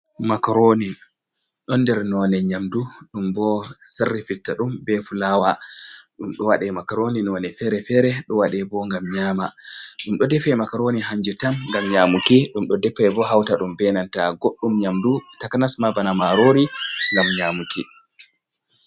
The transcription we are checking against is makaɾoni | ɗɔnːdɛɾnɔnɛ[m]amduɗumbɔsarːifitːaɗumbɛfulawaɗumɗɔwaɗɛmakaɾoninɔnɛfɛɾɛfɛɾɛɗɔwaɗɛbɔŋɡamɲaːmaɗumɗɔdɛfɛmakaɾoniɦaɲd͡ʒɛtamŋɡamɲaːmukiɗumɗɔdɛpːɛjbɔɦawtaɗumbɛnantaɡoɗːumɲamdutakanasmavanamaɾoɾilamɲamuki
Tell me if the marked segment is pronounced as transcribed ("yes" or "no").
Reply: no